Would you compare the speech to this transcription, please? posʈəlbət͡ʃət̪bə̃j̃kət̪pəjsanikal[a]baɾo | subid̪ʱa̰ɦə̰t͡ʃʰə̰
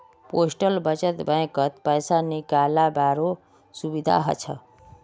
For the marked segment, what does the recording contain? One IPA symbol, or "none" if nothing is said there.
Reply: a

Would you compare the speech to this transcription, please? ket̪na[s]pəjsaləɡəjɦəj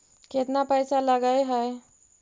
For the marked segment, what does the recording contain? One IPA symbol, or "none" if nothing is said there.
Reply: none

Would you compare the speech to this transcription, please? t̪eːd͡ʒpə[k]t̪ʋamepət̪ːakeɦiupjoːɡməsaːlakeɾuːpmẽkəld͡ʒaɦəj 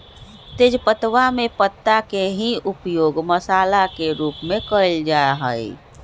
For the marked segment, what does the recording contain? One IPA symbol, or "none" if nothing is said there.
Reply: none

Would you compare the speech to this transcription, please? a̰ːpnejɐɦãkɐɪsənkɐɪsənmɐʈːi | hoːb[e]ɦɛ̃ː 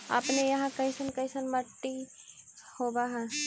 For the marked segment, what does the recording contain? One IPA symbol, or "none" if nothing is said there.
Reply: a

